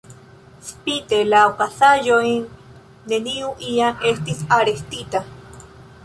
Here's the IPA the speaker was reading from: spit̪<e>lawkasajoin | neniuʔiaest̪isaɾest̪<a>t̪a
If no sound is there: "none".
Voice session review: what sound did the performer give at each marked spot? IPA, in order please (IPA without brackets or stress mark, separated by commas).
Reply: e, i